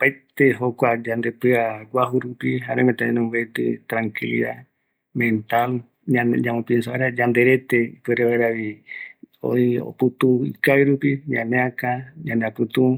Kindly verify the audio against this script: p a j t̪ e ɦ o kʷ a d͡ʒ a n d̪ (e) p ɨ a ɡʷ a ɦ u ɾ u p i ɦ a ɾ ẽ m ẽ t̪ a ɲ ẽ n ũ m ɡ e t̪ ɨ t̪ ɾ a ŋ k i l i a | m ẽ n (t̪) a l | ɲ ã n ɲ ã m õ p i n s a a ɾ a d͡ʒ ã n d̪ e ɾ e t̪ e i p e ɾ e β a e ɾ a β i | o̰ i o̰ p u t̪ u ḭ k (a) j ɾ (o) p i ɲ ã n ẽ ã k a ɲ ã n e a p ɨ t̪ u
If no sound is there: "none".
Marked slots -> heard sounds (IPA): e, t̪, a, u

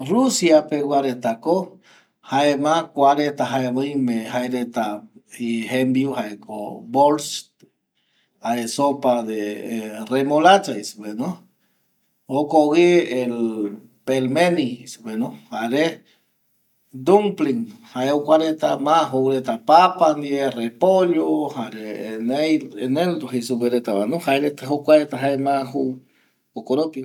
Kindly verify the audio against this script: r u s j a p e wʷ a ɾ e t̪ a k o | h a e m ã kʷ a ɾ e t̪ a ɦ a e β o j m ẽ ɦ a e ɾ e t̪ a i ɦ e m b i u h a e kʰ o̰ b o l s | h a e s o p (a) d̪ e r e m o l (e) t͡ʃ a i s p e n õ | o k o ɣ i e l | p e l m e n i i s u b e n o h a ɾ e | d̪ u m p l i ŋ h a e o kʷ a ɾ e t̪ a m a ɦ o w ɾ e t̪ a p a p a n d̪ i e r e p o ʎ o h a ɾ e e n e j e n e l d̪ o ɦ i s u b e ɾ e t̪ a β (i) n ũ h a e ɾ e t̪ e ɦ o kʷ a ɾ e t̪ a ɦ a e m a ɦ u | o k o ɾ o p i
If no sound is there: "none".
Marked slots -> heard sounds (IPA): a, a, a

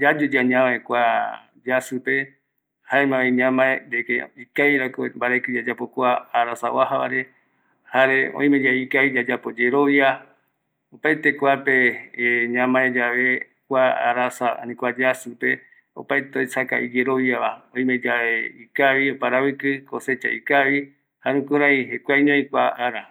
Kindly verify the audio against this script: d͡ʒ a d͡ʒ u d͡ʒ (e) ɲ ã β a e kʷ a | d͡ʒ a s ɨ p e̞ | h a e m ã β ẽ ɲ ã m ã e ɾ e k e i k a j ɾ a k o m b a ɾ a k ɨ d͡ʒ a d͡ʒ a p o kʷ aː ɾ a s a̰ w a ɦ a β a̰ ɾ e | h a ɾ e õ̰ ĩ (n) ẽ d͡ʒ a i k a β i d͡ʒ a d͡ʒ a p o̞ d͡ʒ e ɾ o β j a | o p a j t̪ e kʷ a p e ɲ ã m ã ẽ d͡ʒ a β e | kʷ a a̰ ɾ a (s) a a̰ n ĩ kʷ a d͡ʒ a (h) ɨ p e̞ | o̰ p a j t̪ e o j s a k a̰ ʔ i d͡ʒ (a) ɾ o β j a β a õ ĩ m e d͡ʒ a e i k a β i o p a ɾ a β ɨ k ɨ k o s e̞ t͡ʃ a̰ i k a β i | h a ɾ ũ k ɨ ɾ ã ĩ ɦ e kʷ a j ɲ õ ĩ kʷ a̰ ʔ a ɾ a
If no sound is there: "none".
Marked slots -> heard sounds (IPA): a, m, s, s, e

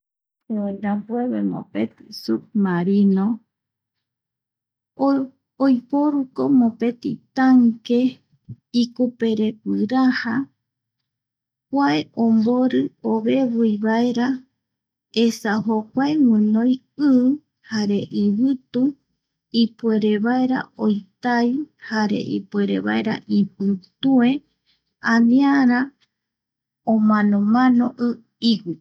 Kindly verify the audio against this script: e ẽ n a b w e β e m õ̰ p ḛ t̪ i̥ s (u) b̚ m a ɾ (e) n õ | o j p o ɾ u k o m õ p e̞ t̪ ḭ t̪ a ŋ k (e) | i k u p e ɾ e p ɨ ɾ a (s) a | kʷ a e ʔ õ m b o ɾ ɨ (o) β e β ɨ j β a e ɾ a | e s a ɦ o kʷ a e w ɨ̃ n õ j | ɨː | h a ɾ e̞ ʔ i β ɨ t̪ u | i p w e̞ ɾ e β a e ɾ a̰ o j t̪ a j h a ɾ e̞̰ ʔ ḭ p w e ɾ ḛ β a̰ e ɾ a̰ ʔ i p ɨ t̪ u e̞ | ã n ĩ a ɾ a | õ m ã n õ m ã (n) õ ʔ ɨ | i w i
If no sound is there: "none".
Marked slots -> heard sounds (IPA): u, i, e, h, o, n

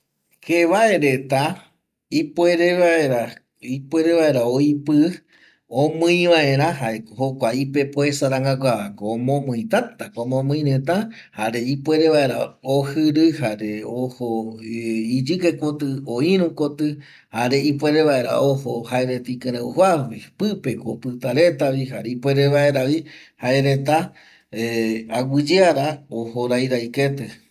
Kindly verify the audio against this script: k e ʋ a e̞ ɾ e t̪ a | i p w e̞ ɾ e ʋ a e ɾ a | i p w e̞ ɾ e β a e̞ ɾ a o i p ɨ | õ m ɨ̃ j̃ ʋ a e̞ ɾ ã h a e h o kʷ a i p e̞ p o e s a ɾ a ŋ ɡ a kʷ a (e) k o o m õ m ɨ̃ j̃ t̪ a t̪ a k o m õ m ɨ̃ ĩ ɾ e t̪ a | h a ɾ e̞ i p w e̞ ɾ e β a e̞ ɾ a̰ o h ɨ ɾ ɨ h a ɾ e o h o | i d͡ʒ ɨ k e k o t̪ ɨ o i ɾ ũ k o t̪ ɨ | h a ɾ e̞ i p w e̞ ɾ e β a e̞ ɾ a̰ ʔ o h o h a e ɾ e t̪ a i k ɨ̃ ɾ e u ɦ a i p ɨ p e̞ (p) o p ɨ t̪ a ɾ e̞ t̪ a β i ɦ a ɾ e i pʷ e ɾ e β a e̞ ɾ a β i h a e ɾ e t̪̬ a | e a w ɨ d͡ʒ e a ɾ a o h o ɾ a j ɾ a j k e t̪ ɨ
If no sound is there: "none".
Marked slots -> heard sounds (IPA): a, k

